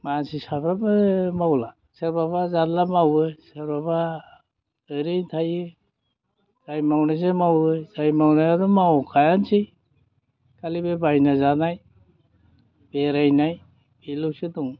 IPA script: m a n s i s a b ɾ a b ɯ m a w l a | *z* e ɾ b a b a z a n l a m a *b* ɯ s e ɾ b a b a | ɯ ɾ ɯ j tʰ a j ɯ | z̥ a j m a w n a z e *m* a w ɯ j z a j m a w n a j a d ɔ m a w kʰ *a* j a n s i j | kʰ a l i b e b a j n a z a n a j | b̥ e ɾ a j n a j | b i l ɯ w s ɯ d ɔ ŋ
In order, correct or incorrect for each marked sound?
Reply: incorrect, incorrect, correct, correct

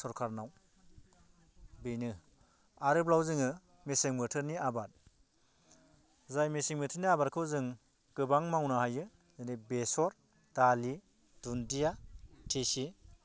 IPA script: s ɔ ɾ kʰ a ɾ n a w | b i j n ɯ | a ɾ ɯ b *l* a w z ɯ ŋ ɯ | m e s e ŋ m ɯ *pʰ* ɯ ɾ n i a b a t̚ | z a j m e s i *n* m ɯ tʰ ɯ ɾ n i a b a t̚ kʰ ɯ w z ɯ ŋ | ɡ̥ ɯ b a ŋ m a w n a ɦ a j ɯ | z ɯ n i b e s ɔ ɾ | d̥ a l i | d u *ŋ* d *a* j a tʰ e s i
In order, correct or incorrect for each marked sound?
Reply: correct, incorrect, incorrect, incorrect, incorrect

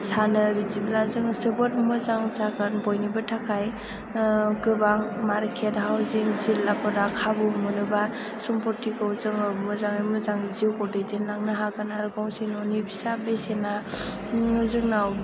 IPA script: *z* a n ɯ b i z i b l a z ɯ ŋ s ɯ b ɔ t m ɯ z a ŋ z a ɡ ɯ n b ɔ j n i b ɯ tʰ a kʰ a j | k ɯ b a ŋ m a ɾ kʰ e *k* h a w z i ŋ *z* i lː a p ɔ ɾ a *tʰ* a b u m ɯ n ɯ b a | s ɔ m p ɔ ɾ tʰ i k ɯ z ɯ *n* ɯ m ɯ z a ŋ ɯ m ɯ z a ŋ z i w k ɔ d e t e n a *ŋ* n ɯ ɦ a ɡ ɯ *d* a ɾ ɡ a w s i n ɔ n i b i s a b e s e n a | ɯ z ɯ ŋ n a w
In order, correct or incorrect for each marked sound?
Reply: incorrect, incorrect, correct, incorrect, incorrect, correct, incorrect

